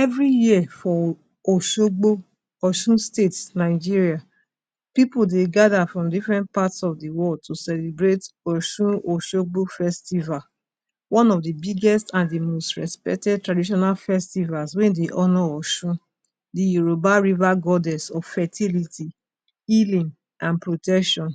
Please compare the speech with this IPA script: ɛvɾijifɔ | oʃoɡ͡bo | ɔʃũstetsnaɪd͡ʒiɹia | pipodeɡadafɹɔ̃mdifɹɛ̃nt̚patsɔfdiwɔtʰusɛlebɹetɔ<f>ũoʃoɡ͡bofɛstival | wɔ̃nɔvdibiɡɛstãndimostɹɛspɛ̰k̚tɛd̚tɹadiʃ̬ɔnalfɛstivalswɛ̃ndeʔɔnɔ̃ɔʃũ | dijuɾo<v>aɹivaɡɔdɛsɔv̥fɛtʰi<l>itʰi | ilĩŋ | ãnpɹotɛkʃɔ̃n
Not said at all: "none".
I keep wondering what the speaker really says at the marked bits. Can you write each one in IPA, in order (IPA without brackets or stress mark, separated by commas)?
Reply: ʃ, b, l